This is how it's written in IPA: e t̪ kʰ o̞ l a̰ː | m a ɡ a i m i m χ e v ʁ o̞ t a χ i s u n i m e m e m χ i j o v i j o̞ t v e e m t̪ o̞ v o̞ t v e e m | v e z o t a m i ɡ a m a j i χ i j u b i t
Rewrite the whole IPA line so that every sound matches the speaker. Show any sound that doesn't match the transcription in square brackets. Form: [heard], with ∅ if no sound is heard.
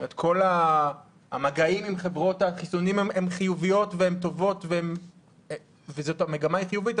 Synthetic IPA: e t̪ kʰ o̞ l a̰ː | m a ɡ a i m i m χ e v ʁ o̞ t a χ i s u n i m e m e m χ i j [u] v i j o̞ t v e e m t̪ o̞ v o̞ t v e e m | v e z o t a m [e] ɡ a m a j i χ i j u [v] i t